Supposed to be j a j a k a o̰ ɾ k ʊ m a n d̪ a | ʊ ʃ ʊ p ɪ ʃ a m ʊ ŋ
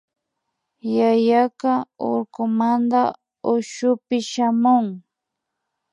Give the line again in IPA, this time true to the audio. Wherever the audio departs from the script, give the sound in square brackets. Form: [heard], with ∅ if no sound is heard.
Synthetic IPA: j a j a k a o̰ ɾ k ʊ m a n d̪ a | ʊ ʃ ʊ p ɪ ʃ a m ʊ ŋ